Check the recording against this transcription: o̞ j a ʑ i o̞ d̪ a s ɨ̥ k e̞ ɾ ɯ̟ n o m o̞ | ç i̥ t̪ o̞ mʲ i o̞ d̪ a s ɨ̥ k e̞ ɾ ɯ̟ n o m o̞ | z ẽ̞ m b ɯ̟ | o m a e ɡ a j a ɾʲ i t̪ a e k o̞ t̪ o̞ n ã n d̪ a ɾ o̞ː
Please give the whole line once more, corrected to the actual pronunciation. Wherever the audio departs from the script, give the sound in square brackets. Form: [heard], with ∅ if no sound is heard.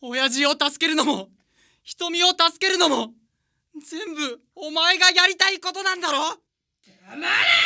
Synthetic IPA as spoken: o̞ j a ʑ i o̞ [t̪] a s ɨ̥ k e̞ ɾ ɯ̟ n o m o̞ | ç i̥ t̪ o̞ mʲ i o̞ [t̪] a s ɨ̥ k e̞ ɾ ɯ̟ n o m o̞ | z ẽ̞ m b ɯ̟ | o m a e ɡ a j a ɾʲ i t̪ a [i] k o̞ t̪ o̞ n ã n d̪ a ɾ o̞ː